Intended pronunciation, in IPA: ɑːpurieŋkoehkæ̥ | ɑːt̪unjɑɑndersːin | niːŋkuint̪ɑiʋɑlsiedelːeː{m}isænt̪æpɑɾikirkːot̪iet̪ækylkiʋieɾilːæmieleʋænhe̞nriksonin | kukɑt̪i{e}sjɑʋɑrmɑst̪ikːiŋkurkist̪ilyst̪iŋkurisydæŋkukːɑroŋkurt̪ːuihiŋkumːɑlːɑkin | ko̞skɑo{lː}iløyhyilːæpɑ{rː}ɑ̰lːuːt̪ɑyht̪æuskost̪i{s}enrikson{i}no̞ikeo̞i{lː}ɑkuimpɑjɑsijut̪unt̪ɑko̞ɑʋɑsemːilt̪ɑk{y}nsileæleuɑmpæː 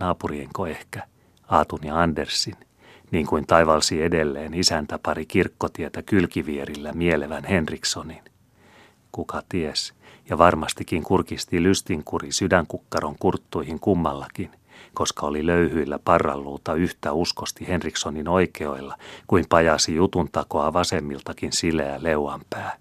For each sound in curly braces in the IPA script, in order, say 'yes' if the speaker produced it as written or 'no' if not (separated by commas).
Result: no, yes, no, yes, no, yes, yes, no